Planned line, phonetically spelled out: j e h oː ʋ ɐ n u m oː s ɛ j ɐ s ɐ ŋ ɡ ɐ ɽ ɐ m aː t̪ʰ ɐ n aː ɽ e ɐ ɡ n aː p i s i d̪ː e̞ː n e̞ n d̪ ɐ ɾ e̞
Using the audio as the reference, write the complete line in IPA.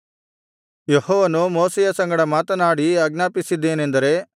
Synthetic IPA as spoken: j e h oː ʋ ɐ n u m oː s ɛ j ɐ s ɐ ŋ ɡ ɐ ɽ ɐ m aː t̪ ɐ n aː ɽ i ɐ ɡ n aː p i s i d̪ː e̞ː n e̞ n d̪ ɐ ɾ e̞